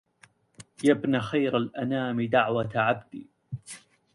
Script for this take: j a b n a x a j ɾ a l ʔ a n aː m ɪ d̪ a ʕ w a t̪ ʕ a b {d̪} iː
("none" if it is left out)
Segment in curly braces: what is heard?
d̪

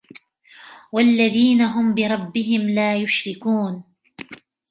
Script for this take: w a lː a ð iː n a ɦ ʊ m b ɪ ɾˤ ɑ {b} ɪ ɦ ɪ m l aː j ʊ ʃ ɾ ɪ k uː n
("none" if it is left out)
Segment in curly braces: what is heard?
bː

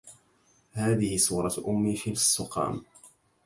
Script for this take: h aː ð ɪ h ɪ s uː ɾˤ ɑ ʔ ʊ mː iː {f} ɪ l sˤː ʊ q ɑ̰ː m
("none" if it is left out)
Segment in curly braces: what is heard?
ʃ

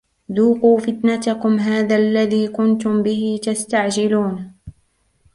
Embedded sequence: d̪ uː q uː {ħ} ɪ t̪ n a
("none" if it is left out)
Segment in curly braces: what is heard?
f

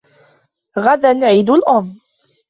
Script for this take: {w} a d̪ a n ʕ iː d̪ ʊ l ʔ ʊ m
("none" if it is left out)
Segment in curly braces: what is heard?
ɣ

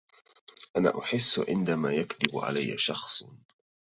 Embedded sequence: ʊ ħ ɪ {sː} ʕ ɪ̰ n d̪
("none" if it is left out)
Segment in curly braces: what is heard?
sː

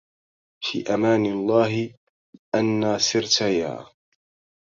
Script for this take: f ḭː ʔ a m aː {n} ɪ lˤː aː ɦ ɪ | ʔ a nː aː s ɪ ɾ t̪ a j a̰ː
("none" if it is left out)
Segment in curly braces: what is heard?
n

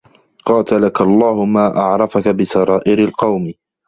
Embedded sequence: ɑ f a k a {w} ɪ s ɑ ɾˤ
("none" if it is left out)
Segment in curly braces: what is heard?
b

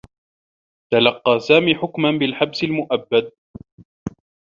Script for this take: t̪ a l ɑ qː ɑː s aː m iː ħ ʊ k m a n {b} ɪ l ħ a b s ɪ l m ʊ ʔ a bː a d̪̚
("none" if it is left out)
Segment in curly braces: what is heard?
b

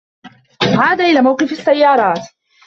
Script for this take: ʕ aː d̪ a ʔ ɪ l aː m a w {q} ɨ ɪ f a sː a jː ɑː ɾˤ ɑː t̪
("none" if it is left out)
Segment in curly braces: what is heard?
q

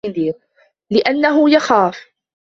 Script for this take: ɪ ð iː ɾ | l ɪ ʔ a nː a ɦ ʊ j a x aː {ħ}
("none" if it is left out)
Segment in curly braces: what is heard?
f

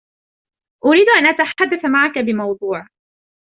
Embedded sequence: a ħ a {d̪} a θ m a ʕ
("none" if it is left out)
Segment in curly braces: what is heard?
d̪ː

